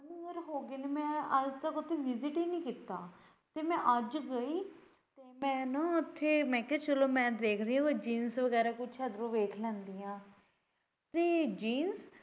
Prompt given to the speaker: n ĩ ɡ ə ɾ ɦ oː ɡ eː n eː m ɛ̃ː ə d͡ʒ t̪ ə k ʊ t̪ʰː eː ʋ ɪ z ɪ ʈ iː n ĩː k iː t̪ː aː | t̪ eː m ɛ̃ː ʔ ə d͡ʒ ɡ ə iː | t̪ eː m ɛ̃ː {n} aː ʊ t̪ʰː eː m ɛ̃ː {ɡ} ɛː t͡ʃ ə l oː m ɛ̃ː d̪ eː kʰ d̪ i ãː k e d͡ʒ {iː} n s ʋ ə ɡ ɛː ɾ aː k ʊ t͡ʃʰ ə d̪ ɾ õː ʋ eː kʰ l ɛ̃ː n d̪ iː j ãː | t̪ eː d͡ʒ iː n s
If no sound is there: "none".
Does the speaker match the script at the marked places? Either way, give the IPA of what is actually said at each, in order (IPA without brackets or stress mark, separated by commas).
n, k, iː